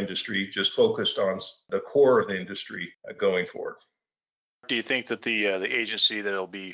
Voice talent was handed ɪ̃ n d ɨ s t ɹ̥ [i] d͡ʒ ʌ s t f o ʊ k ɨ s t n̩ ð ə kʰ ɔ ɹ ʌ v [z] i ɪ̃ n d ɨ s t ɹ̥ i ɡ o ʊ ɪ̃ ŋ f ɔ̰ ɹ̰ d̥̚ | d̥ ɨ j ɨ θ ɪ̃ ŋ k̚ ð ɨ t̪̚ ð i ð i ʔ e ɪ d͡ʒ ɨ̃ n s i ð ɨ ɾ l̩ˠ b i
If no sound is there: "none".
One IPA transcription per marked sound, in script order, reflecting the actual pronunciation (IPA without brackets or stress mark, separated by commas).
i, ð